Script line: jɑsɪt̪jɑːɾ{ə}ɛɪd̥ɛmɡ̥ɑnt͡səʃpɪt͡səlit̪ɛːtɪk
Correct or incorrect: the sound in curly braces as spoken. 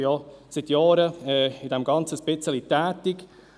correct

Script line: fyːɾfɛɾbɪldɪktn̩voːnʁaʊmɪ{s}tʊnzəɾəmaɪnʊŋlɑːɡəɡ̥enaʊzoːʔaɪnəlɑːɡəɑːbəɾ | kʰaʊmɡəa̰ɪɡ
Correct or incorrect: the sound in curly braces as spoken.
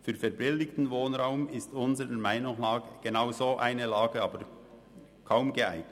correct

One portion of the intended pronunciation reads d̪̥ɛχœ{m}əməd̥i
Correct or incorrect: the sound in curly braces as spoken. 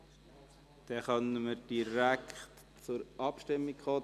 incorrect: n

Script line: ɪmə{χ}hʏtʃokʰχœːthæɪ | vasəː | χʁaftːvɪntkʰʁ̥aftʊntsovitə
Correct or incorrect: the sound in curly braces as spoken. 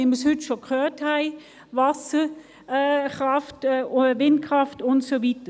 incorrect: s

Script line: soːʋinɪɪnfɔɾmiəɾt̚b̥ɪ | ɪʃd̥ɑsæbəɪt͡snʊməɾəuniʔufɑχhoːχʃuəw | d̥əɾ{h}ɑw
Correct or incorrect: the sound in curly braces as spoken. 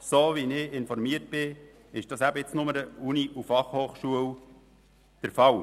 incorrect: f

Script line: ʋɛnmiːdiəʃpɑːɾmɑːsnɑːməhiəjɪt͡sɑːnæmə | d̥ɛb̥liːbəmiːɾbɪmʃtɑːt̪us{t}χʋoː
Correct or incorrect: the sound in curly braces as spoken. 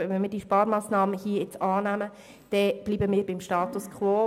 incorrect: k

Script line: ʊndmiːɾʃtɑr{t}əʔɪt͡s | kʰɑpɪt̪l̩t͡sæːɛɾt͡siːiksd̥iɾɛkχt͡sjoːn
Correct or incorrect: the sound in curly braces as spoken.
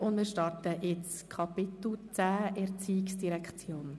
correct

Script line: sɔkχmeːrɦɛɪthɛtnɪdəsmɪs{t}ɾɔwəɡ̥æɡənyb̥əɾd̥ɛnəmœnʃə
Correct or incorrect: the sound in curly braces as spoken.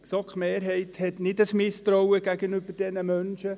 correct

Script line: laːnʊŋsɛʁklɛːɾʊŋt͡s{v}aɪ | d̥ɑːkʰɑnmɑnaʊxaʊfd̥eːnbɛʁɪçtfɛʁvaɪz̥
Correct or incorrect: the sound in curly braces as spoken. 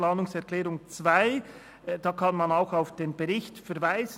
correct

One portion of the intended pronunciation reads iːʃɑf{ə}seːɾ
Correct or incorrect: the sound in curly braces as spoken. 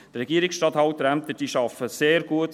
correct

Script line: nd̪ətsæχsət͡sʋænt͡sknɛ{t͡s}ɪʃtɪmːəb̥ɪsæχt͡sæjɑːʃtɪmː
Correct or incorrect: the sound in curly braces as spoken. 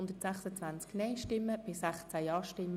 incorrect: none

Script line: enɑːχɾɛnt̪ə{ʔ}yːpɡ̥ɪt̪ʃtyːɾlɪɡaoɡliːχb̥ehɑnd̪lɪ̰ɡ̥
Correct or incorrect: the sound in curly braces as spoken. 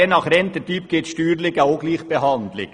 incorrect: t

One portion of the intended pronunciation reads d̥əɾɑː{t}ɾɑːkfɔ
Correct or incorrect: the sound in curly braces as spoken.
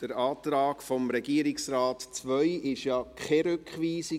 correct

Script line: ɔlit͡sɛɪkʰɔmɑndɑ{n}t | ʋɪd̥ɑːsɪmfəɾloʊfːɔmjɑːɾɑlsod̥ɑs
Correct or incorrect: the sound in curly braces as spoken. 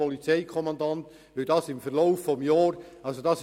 correct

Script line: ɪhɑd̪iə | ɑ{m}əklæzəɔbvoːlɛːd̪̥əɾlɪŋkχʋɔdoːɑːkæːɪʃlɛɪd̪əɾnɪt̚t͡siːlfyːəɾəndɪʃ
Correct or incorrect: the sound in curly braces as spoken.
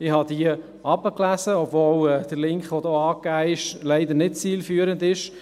incorrect: b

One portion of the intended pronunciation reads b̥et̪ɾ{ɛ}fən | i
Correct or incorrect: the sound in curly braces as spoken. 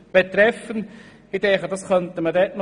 correct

